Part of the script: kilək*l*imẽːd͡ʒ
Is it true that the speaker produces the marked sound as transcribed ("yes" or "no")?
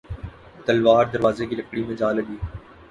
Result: no